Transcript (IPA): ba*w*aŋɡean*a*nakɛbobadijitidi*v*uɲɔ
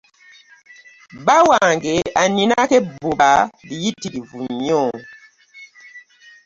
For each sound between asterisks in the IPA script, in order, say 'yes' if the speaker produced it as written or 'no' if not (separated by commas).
yes, no, yes